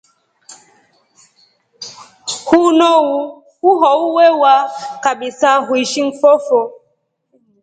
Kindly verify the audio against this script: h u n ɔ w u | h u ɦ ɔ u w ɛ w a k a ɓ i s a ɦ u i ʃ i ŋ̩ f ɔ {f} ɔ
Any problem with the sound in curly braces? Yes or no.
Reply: no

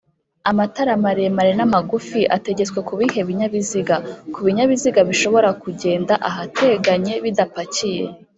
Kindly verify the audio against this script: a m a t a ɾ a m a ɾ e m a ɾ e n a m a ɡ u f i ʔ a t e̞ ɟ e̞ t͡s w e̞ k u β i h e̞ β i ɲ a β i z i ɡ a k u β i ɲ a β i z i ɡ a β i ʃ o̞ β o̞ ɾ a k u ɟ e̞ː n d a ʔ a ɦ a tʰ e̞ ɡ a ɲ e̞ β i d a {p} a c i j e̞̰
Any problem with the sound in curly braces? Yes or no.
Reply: no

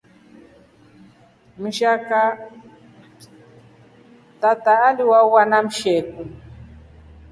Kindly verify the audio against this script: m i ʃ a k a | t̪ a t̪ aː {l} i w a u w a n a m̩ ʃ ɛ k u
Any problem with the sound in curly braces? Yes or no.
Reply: no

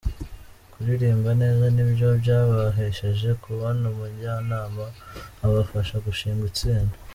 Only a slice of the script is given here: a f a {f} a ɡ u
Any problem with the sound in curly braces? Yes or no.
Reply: yes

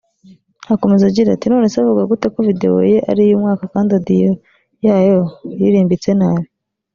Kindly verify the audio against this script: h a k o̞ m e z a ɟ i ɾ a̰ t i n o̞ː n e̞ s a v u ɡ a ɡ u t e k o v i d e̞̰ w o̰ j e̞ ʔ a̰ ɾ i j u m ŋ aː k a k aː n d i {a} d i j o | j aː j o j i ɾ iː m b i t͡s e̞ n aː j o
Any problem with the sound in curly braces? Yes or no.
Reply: no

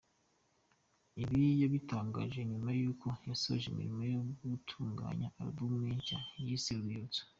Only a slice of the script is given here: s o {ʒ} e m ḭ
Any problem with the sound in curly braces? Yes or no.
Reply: no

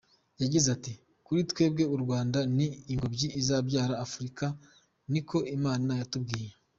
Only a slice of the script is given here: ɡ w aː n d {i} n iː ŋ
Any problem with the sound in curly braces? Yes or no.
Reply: yes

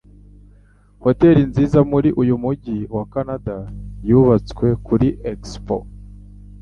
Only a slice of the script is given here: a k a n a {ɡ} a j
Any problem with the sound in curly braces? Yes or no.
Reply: yes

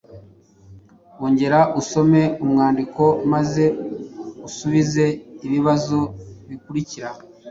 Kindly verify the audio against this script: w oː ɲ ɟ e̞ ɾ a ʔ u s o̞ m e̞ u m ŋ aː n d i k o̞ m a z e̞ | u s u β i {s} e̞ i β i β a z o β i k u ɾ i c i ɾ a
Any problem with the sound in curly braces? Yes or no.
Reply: yes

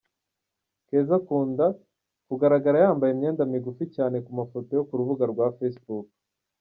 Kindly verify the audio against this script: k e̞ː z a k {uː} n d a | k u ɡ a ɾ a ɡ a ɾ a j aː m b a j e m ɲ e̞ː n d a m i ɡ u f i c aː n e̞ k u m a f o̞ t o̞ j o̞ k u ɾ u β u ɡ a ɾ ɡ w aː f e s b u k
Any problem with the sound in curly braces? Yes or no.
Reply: no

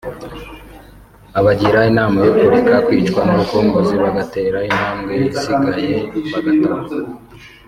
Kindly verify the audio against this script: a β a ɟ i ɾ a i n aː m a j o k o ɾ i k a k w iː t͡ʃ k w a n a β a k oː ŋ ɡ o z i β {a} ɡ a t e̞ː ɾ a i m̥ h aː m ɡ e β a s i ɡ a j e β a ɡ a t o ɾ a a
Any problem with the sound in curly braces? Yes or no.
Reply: no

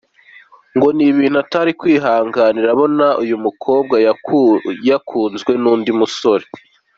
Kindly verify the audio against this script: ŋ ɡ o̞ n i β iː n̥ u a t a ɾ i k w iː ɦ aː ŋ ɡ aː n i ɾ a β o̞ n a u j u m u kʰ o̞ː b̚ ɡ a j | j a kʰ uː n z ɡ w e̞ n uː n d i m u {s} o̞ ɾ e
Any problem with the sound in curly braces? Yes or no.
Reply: no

